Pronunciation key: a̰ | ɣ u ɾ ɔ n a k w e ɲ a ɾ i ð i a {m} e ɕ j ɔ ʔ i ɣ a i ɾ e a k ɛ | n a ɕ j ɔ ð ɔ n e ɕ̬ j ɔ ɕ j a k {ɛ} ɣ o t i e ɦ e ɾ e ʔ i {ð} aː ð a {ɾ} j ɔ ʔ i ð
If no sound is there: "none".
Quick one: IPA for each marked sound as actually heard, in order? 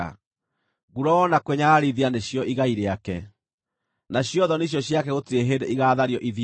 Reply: n, ɛ, ɣ, ɾ

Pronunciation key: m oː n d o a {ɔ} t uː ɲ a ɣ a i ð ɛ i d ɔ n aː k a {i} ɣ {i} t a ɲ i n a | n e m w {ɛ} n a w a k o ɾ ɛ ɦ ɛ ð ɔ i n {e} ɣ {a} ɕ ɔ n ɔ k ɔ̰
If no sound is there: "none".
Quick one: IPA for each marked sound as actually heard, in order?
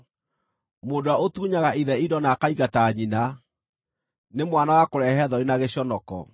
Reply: o, i, a, a, a, e

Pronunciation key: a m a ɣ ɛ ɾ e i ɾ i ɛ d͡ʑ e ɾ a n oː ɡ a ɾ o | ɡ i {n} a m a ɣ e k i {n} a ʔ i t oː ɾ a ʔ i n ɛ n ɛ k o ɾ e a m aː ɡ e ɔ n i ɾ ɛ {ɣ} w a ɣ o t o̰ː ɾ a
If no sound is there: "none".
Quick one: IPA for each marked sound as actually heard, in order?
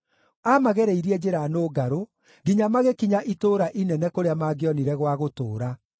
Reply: ɲ, ɲ, ɣ

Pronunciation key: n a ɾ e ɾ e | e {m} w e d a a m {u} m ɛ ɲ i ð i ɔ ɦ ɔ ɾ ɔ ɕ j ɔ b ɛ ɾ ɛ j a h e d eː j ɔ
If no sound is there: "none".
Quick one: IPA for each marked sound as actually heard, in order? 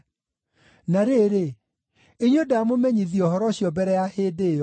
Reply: ɲ, o

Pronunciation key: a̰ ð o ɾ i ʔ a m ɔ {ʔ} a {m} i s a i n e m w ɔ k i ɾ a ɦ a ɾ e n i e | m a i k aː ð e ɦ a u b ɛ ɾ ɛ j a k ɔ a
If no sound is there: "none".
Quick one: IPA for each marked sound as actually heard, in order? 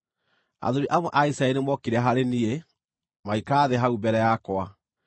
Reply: ʔ, none

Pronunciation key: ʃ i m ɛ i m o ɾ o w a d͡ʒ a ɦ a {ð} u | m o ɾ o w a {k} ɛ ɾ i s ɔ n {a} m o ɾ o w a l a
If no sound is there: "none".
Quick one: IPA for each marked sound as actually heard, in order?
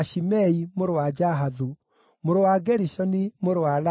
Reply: ð, ɡ, i

